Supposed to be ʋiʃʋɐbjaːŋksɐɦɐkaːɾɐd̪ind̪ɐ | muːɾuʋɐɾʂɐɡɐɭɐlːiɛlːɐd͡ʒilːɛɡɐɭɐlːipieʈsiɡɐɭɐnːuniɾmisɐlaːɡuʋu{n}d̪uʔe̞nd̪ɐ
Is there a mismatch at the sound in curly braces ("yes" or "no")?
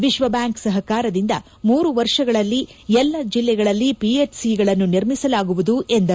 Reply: yes